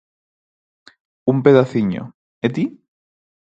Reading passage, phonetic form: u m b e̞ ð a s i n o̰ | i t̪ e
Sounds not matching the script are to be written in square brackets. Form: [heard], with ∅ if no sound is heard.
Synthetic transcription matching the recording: u m [p] e̞ ð a [θ] i [ɲ] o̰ | [e] t̪ [i]